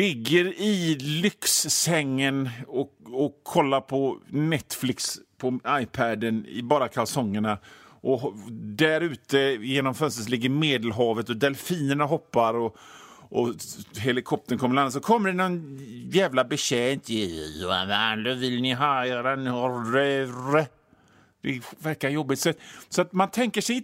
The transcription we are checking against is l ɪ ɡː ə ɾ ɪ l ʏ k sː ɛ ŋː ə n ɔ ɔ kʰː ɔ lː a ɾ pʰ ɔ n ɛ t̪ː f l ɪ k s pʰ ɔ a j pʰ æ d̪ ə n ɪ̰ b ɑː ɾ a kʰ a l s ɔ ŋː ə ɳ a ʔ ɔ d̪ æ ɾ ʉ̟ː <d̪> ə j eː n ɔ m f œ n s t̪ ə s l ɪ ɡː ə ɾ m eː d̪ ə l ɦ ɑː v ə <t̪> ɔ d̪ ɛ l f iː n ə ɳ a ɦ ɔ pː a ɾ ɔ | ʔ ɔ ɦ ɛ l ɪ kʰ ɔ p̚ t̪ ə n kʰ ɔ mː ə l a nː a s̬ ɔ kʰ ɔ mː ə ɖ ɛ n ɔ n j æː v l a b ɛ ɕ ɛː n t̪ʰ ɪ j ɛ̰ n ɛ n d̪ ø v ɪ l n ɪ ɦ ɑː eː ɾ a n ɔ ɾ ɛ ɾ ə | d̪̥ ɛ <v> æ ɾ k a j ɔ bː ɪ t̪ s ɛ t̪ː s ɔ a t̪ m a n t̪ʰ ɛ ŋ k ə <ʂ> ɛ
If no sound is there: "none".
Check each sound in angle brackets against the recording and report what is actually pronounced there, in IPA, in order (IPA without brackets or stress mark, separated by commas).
t̪, t̪, v, ʂ